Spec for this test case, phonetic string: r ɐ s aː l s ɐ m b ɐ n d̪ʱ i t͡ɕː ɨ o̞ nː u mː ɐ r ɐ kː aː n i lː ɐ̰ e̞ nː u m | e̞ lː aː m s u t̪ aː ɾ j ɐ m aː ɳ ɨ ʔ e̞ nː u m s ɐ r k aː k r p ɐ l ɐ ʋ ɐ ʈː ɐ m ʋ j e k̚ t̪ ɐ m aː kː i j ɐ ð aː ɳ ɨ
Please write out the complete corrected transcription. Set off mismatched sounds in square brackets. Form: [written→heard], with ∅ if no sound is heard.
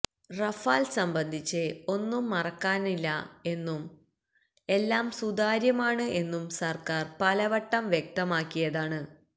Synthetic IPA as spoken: r ɐ [s→f] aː l s ɐ m b ɐ n d̪ʱ i t͡ɕː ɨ o̞ nː u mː ɐ r ɐ kː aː n i lː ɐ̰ e̞ nː u m | e̞ lː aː m s u [t̪→d̪] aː ɾ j ɐ m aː ɳ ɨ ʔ e̞ nː u m s ɐ r k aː [k→∅] r p ɐ l ɐ ʋ ɐ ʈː ɐ m ʋ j e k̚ t̪ ɐ m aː kː i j ɐ ð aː ɳ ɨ